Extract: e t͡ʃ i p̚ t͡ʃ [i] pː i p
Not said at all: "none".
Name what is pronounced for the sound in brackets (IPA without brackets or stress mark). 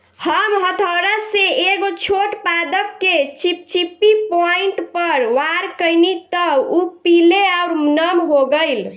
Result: i